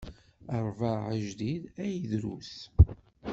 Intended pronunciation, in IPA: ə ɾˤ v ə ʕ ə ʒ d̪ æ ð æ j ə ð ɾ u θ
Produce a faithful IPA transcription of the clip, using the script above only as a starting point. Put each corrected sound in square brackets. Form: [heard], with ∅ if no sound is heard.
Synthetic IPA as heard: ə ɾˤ v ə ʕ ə ʒ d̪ [i] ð æ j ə ð ɾ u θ